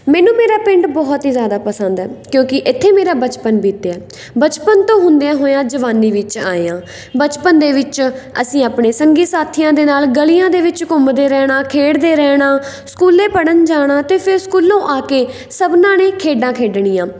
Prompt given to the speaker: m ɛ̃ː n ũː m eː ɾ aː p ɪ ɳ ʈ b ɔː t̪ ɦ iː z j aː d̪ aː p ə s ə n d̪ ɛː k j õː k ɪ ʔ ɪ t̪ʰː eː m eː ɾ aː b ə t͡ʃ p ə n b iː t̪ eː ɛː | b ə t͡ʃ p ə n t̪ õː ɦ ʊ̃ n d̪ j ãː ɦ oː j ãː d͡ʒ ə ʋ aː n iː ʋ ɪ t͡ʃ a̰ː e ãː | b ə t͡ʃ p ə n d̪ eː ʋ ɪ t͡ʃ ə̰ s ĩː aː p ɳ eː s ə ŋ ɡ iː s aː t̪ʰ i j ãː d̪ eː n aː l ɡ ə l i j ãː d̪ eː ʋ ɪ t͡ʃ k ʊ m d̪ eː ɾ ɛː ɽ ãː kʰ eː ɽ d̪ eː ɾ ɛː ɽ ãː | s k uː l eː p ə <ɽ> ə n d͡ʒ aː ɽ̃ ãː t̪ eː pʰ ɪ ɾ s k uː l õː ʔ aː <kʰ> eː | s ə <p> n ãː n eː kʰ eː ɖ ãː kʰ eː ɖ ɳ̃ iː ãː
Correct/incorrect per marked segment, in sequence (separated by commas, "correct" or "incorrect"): correct, incorrect, incorrect